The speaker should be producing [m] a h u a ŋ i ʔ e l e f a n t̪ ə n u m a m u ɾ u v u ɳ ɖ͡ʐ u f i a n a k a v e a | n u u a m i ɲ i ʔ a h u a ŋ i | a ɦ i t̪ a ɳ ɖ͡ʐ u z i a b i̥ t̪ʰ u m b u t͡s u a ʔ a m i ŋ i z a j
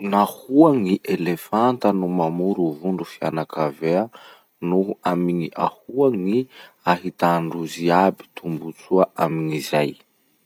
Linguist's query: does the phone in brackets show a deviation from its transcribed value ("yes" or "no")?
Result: yes